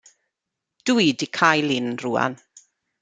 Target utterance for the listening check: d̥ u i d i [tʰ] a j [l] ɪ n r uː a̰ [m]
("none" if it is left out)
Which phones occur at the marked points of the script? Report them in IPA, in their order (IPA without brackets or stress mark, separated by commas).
kʰ, l, n